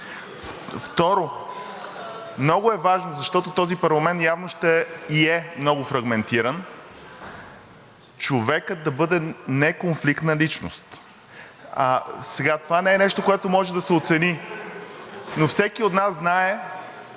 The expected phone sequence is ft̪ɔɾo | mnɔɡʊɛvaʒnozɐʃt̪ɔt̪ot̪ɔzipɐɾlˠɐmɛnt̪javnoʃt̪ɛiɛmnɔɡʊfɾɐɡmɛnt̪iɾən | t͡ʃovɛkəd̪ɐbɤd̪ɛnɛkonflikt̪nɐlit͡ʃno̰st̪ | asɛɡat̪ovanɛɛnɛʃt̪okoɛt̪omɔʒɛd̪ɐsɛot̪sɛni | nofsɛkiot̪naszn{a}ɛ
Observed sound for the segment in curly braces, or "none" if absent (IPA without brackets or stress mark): a